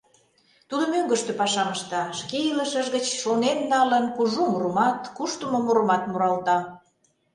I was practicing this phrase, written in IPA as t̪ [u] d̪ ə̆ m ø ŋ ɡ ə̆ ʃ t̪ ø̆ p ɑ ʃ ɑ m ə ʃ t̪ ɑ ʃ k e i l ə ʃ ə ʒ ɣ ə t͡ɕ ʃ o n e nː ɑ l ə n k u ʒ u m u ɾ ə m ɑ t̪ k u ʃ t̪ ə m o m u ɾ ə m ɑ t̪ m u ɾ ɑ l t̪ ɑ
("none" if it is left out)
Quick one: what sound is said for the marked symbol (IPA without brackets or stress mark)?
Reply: u